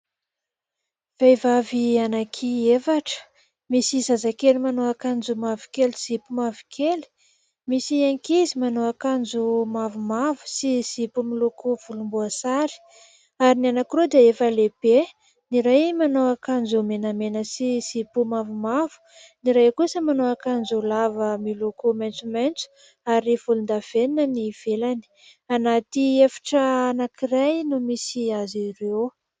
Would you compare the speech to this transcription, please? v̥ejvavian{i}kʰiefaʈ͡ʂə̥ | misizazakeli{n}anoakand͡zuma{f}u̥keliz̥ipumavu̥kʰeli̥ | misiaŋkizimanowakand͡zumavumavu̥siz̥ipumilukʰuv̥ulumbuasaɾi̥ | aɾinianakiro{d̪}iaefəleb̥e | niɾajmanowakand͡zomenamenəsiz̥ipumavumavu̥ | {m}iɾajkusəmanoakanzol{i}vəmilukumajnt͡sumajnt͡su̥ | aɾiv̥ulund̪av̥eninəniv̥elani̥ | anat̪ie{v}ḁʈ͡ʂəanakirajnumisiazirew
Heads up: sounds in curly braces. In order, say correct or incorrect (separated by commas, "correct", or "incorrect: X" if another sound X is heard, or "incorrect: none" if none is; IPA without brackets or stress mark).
incorrect: a, incorrect: m, incorrect: v, correct, incorrect: n, incorrect: a, incorrect: f